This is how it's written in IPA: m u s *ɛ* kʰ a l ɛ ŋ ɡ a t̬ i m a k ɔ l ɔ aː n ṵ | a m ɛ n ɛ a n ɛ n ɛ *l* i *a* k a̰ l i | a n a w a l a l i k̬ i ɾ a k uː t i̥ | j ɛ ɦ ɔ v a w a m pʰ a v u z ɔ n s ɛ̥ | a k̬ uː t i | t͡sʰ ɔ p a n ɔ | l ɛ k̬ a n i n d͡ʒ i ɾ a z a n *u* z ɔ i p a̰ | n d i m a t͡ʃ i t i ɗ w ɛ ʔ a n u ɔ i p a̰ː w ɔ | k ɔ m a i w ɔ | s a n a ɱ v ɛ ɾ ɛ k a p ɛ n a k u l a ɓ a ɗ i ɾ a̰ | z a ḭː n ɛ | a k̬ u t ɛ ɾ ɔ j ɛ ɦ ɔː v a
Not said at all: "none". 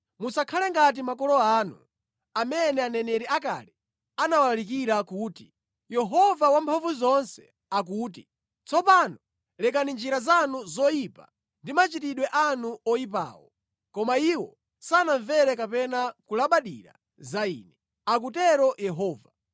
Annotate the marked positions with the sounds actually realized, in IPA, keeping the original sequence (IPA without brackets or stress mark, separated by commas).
a, ɾ, a, u